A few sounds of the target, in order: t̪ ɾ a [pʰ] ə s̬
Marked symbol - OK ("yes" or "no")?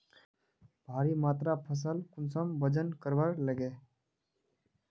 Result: yes